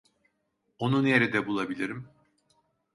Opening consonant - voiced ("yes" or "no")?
yes